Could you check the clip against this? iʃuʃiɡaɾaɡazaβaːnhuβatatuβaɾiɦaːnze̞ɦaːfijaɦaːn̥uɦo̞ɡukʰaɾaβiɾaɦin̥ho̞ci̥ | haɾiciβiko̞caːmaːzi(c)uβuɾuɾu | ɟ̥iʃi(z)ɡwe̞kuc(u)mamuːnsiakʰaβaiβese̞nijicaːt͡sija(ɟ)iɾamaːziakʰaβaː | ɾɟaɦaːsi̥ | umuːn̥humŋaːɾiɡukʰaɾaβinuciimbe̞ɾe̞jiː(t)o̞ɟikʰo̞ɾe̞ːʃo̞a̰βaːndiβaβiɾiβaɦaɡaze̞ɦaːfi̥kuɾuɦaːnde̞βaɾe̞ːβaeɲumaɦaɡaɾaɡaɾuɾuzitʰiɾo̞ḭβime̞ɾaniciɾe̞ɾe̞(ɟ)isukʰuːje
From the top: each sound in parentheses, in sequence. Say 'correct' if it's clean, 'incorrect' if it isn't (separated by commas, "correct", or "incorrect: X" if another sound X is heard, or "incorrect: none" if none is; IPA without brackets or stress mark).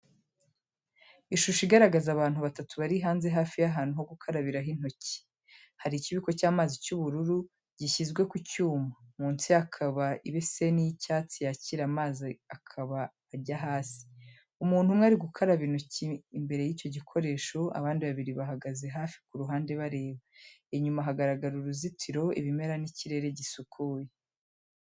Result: correct, correct, incorrect: uː, incorrect: c, incorrect: c, correct